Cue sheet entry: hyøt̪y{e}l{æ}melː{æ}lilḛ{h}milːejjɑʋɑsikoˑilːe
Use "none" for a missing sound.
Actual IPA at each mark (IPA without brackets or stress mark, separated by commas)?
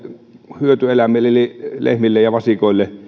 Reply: e, æ, e, h